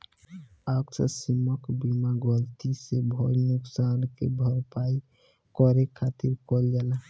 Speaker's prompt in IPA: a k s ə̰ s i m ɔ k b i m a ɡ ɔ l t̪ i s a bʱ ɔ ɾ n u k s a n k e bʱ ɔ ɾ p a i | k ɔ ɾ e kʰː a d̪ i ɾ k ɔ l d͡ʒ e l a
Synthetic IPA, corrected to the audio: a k s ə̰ s i m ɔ k b i m a ɡ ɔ l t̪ i s e bʱ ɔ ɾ n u k s a n k e bʱ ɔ ɾ p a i | k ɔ ɾ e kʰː a t̪ i ɾ k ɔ l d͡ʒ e l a

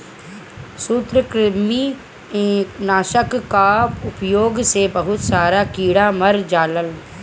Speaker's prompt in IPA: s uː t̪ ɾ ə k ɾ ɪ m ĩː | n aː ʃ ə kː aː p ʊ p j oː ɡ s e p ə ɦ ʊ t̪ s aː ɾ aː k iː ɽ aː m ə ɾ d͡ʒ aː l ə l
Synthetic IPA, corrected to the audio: s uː t̪ ɾ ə k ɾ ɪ m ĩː | n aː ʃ ə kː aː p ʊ p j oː ɡ s e b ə ɦ ʊ t̪ s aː ɾ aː k iː ɽ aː m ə ɾ d͡ʒ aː l ə l

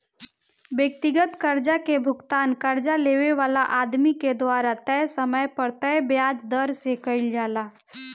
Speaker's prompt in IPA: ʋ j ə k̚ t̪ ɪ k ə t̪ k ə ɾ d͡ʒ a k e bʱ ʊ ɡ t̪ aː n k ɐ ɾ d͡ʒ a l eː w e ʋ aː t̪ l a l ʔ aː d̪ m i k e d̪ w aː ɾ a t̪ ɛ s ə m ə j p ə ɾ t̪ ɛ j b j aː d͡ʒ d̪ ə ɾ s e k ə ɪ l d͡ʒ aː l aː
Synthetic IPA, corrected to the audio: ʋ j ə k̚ t̪ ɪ ɡ ə t̪ k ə ɾ d͡ʒ a k e bʱ ʊ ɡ t̪ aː n k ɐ ɾ d͡ʒ a l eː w e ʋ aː l a ʔ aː d̪ m i k e d̪ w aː ɾ a t̪ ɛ s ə m ə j p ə ɾ t̪ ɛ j b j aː d͡ʒ d̪ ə ɾ s e k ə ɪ l d͡ʒ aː l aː

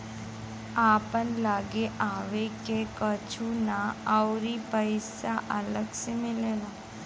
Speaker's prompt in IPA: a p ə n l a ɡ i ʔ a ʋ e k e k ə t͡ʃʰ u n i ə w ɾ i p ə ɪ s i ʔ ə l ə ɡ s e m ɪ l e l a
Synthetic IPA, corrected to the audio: a p ə n l a ɡ e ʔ a ʋ e k e k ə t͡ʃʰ u n a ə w ɾ i p ə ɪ s a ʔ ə l ə ɡ s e m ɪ l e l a

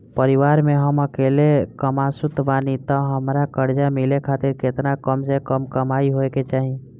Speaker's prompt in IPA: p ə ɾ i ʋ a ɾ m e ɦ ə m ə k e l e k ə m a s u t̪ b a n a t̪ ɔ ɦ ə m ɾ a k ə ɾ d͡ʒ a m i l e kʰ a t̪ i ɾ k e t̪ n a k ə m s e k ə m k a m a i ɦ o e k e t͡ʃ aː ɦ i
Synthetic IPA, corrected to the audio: p ə ɾ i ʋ a ɾ m e ɦ ə m ə k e l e k ə m a s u t̪ b a n i t̪ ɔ ɦ ə m ɾ a k ə ɾ d͡ʒ a m i l e kʰ a t̪ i ɾ k e t̪ n a k ə m s e k ə m k ə m a i ɦ o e k e t͡ʃ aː ɦ i

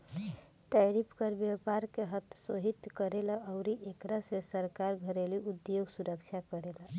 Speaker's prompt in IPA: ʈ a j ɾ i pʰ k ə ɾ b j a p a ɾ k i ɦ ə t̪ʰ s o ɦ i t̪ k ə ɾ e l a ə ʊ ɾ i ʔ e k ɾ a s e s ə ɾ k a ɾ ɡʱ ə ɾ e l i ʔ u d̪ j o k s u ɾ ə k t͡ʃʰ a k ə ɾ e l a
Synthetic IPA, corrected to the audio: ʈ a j ɾ i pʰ k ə ɾ b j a p a ɾ k e ɦ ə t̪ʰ s o ɦ i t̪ k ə ɾ e l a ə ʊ ɾ i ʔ e k ɾ a s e s ə ɾ k a ɾ ɡʱ ə ɾ e l i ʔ u d̪ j o ɡ s u ɾ ə k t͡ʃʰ a k ə ɾ e l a

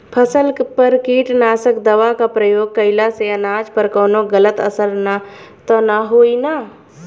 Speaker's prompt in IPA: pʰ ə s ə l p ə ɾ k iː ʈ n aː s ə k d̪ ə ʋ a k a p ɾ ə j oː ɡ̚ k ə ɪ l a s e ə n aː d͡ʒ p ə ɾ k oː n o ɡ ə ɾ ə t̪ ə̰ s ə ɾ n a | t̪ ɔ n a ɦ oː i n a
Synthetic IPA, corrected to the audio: pʰ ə s ə l p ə ɾ k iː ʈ n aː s ə k d̪ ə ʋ a k a p ɾ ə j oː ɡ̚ k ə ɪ l a s e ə n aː d͡ʒ p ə ɾ k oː n o ɡ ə l ə t̪ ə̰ s ə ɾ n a | t̪ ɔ n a ɦ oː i n a

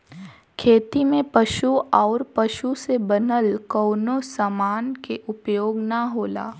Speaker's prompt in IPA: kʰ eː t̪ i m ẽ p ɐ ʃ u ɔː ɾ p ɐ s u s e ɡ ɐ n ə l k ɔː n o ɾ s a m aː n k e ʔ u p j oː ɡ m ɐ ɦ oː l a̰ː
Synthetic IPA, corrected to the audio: kʰ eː t̪ i m ẽ p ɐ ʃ u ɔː ɾ p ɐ ʃ u s e b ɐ n ə l k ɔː n o s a m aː n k e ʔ ʊ p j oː ɡ n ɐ ɦ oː l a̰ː

